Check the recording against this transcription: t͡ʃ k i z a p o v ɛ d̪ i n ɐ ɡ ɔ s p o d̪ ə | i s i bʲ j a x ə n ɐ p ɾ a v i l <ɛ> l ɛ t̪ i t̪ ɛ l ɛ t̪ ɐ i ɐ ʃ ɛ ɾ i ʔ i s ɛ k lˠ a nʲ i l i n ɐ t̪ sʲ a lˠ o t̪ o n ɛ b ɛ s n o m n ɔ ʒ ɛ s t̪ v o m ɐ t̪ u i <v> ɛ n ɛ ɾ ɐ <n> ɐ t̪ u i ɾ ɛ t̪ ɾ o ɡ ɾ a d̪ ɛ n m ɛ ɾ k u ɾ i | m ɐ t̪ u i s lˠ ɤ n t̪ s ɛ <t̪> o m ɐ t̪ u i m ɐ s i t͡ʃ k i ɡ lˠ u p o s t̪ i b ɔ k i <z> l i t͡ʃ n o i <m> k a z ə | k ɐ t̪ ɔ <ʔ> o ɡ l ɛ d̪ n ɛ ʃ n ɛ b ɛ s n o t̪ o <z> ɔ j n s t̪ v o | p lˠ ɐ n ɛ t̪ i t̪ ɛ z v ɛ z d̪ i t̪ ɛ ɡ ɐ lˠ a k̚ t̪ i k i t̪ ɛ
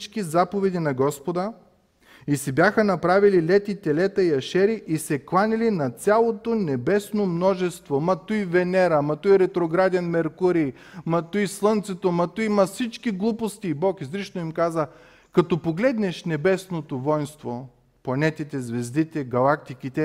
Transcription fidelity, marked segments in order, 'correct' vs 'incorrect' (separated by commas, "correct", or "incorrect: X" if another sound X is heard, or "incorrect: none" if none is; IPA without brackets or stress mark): incorrect: i, correct, incorrect: m, correct, correct, correct, incorrect: p, incorrect: v